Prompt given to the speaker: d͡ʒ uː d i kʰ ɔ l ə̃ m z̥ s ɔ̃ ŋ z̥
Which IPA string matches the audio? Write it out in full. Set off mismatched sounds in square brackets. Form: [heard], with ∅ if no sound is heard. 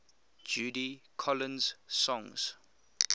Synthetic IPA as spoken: d͡ʒ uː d i kʰ ɔ l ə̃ [n] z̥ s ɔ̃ ŋ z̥